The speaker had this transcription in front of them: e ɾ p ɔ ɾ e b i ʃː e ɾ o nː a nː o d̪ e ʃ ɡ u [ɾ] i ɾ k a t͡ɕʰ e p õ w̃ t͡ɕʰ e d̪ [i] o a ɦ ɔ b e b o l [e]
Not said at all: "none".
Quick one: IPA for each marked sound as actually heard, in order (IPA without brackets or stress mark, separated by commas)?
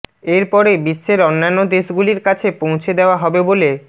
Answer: l, e, e